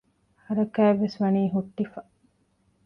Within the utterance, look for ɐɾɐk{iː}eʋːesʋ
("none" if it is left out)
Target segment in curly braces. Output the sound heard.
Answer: æː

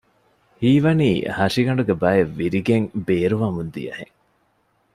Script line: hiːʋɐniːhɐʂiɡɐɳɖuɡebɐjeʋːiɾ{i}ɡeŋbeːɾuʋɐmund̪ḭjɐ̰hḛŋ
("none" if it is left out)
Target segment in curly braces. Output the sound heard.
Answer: i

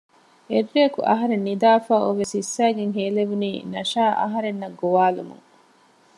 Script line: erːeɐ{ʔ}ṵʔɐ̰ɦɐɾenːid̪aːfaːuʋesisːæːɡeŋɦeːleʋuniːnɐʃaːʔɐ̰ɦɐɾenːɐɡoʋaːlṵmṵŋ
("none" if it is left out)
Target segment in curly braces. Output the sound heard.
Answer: k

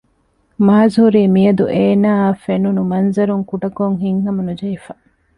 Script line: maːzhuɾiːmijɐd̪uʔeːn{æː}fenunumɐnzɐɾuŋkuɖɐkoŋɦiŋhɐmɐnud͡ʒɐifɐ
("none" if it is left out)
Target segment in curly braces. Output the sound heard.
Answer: aː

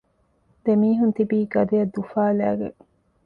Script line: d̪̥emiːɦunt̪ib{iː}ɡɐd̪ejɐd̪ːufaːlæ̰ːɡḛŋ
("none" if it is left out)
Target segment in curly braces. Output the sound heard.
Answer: iː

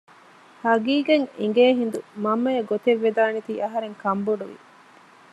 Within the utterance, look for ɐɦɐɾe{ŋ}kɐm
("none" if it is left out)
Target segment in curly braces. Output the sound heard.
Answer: ŋ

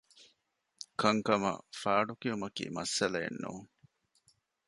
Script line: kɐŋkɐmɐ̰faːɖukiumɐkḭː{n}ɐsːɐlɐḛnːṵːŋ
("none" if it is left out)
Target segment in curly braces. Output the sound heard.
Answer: m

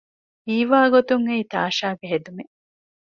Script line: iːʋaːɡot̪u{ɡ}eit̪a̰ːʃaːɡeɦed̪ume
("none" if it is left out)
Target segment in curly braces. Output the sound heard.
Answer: ŋ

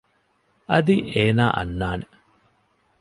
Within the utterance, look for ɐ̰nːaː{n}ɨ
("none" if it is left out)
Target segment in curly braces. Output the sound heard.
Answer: n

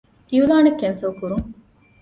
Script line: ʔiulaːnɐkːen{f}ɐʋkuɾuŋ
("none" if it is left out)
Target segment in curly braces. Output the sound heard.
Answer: s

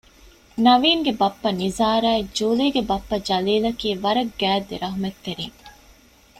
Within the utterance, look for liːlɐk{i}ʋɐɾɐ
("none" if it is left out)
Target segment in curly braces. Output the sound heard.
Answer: iː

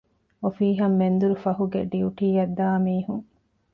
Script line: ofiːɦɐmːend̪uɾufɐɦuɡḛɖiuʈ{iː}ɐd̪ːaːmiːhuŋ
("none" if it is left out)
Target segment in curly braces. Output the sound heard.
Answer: iː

